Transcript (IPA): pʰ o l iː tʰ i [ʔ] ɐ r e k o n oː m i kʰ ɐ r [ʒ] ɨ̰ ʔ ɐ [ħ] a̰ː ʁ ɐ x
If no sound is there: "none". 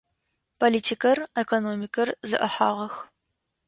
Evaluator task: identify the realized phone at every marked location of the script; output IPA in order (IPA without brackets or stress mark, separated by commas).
k, z, ħ